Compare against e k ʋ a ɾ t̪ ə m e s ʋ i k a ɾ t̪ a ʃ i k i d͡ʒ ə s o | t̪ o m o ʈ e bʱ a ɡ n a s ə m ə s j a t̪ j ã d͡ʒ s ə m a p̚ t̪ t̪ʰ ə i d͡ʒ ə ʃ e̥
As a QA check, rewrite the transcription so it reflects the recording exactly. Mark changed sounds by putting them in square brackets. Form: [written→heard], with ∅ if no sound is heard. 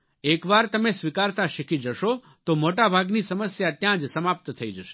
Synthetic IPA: e k ʋ a ɾ t̪ ə m e s ʋ i k a ɾ t̪ a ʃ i k i d͡ʒ ə [s→ʃ] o | t̪ o m o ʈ [e→a] bʱ a ɡ n [a→i] s ə m ə s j a t̪ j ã d͡ʒ s ə m a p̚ t̪ t̪ʰ ə i d͡ʒ ə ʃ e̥

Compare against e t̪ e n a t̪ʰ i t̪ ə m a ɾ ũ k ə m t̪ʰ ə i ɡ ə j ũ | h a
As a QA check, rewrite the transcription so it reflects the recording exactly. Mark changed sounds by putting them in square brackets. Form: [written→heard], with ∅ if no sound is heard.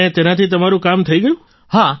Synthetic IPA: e t̪ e n a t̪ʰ i t̪ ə m a ɾ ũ k [ə→a] m t̪ʰ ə i ɡ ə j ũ | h a

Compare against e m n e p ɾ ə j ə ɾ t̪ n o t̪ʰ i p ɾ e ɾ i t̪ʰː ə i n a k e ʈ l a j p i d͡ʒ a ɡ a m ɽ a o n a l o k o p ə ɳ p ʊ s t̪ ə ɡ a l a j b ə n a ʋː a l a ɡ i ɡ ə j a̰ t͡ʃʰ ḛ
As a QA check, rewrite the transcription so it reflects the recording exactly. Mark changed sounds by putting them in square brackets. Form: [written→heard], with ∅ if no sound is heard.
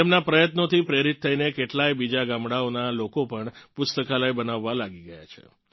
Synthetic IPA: e m n [e→a] p ɾ ə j ə [ɾ→∅] t̪ n o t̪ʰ i p ɾ e ɾ i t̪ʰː ə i n [a→e] k e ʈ l a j [p→b] i d͡ʒ a ɡ a m ɽ a o n a l o k o p ə ɳ p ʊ s t̪ ə [ɡ→k] a l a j b ə n a ʋː a l a ɡ i ɡ ə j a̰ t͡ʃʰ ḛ

